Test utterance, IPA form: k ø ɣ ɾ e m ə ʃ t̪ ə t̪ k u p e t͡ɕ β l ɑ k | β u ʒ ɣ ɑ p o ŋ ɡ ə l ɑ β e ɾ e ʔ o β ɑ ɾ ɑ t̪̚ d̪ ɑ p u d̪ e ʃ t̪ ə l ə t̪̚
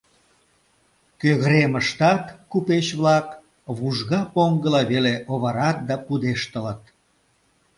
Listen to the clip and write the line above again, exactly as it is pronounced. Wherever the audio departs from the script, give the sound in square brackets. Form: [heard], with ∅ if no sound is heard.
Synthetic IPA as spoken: k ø ɣ ɾ e m ə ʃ t̪ [ɑ] t̪ k u p e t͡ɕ β l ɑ k | β u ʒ ɣ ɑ p o ŋ ɡ ə l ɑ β e [l] e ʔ o β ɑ ɾ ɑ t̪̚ d̪ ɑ p u d̪ e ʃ t̪ ə l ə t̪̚

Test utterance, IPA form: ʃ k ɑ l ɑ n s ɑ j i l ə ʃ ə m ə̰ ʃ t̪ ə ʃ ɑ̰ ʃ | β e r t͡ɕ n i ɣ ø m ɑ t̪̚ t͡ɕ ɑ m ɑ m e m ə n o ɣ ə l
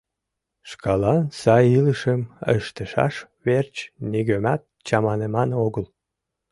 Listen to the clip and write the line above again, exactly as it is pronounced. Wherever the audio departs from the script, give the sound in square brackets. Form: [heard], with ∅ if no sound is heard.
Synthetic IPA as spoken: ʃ k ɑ l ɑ n s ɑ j i l ə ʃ ə m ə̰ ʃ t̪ ə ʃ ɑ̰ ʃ | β e r t͡ɕ n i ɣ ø m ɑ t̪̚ t͡ɕ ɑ m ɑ [n] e m [ɑ] n o ɣ ə l

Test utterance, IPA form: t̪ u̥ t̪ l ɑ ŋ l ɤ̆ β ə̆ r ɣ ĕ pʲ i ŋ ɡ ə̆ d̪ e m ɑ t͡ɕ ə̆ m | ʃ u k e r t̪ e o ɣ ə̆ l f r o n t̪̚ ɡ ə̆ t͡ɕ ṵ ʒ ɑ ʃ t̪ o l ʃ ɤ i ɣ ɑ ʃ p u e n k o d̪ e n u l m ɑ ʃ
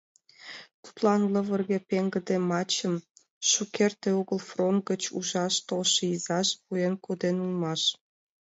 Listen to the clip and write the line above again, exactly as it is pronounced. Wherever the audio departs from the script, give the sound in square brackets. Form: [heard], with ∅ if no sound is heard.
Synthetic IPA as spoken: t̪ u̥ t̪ l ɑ [n] l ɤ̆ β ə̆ r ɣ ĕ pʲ [e] ŋ ɡ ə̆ d̪ e m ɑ t͡ɕ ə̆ m | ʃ u k e r t̪ e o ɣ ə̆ l f r o n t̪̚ ɡ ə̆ t͡ɕ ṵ ʒ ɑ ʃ t̪ o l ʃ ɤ i [z] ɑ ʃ p u e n k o d̪ e n u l m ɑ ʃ

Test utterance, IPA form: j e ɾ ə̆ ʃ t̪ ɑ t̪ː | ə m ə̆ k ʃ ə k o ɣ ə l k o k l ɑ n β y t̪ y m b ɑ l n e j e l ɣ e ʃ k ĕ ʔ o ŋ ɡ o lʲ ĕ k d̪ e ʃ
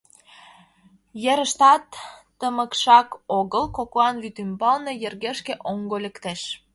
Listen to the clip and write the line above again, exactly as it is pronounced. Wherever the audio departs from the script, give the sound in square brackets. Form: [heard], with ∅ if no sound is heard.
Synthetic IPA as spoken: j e ɾ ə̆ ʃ t̪ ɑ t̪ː | ə m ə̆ k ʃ [ɑ] k o ɣ ə l k o k l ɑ n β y t̪ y m b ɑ l n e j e [r] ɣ e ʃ k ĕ ʔ o ŋ ɡ o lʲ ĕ k [t̪] e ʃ

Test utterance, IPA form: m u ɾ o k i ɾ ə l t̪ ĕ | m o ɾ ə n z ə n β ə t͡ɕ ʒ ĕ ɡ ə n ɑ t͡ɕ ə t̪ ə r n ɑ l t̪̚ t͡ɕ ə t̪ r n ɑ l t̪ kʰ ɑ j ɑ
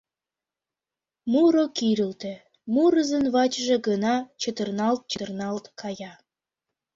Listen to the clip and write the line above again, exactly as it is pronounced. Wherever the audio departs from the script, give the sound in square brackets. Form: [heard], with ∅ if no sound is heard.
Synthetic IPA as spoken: m u ɾ o k i ɾ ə l t̪ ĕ | m [u] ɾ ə [∅] z ə n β [ɑ] t͡ɕ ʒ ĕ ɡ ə n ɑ t͡ɕ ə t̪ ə r n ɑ l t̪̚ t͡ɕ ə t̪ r n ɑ l t̪ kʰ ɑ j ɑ

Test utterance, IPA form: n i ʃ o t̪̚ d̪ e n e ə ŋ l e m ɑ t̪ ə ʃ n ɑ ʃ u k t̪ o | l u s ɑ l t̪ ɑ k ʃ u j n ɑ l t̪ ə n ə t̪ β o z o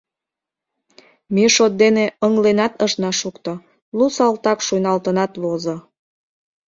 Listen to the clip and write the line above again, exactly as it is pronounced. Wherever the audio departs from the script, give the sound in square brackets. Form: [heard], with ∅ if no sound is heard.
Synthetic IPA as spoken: [m] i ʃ o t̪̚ d̪ e n e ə ŋ l e [n] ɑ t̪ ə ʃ n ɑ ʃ u k t̪ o | l u s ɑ l t̪ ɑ k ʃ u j n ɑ l t̪ ə n [ɑ] t̪ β o z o

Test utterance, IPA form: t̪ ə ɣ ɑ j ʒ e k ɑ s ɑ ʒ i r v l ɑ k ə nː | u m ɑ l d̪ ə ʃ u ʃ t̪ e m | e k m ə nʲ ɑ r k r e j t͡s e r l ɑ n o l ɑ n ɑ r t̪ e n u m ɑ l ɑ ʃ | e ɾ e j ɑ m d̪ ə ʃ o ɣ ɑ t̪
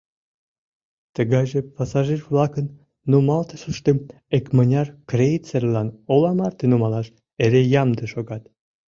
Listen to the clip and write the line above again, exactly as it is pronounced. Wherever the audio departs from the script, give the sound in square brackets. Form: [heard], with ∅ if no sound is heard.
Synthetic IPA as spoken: t̪ ə ɣ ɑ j ʒ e [p] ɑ s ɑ ʒ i r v l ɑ k ə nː | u m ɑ l [t̪] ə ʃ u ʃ t̪ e m | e k m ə nʲ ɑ r k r e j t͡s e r l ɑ n o l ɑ [m] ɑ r t̪ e n u m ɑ l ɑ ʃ | e ɾ e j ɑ m d̪ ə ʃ o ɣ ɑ t̪

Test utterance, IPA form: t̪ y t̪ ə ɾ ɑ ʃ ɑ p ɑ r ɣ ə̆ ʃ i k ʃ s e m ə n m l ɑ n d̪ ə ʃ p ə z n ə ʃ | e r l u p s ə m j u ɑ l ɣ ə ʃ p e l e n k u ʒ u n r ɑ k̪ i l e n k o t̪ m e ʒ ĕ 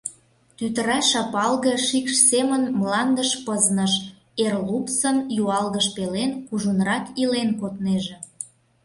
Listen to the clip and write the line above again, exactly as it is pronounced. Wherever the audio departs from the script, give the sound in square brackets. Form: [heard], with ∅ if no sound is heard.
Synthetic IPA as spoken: t̪ y t̪ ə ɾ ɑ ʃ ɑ p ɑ [l] ɣ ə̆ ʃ i k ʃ s e m ə n m l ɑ n d̪ ə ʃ p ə z n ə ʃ | e r l u p s ə [n] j u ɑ l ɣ ə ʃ p e l e n k u ʒ u n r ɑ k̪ i l e n k o t̪ [n] e ʒ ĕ

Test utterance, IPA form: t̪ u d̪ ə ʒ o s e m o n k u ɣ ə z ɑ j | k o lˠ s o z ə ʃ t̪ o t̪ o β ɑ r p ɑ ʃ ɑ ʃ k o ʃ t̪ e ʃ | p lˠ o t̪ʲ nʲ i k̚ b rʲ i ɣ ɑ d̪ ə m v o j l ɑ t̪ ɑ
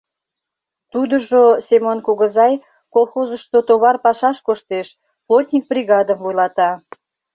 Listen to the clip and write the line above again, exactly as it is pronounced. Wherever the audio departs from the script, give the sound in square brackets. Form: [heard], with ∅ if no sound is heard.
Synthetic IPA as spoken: t̪ u d̪ ə ʒ o s e m o n k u ɣ ə z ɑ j | k o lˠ [x] o z ə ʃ t̪ o t̪ o β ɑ r p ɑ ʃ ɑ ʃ k o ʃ t̪ e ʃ | p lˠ o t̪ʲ nʲ i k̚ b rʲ i ɣ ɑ d̪ ə m v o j l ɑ t̪ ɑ

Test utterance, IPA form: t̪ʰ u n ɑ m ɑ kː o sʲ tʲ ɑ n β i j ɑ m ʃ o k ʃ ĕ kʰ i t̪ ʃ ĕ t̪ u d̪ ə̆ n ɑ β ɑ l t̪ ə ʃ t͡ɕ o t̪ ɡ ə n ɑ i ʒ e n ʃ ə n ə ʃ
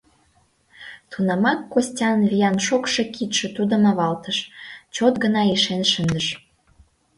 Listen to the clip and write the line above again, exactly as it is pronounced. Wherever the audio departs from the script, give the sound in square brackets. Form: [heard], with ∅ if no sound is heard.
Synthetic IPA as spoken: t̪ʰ u n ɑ m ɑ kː o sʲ tʲ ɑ n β i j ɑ [n] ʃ o k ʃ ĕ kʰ i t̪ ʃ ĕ t̪ u d̪ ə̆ [m] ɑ β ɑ l t̪ ə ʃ t͡ɕ o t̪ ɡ ə n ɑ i [ʃ] e n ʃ ə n ə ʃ

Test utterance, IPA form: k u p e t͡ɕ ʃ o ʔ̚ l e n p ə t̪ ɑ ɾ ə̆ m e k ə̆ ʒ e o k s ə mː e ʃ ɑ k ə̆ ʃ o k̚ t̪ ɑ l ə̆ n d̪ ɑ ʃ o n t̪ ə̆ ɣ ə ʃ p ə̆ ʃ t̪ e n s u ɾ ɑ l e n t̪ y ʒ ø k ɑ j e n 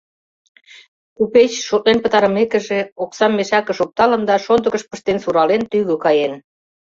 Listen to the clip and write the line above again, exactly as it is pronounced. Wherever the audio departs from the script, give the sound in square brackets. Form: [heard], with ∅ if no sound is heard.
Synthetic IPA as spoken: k u p e t͡ɕ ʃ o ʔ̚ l e n p ə t̪ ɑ ɾ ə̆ m e k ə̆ ʒ e o k s [ɑ] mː e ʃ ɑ k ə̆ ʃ o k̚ t̪ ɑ l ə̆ n d̪ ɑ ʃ o n [d̪] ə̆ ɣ ə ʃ p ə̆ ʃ t̪ e n s u ɾ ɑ l e n t̪ y [ɣ] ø k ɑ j e n

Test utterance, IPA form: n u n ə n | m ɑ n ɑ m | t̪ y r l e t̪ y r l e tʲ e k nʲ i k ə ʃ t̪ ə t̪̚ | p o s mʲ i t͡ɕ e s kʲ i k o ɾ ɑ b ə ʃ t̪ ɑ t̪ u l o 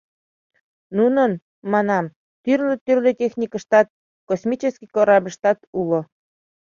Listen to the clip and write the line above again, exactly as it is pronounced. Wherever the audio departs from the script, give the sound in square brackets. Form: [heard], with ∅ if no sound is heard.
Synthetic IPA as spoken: n u n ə n | m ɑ n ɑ m | t̪ y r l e t̪ y r l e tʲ e [x] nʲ i k ə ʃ t̪ [ɑ] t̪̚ | [k] o s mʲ i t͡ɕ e s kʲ i k o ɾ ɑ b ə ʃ t̪ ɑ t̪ u l o

